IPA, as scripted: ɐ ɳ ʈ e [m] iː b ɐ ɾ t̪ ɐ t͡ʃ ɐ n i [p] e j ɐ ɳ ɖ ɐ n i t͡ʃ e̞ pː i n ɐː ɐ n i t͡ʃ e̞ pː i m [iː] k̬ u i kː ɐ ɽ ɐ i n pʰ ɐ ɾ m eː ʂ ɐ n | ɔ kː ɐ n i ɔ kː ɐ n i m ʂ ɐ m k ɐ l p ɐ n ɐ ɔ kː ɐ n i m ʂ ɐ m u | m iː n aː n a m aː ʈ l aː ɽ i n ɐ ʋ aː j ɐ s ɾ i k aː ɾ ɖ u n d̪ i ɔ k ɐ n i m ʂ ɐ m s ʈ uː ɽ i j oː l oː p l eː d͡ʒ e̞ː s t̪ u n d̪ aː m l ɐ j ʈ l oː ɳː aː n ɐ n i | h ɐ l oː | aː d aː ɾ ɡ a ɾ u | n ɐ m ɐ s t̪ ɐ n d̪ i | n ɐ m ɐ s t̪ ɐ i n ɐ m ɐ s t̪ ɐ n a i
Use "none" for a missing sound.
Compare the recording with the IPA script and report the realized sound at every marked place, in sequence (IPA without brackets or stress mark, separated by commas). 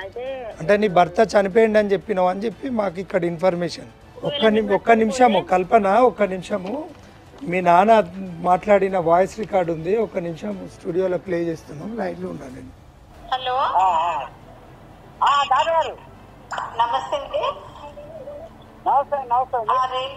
n, p, aː